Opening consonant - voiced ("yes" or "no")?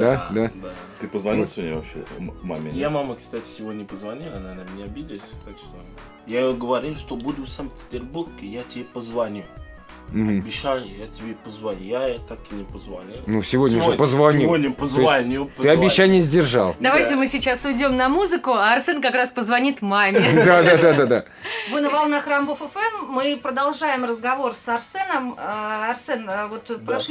yes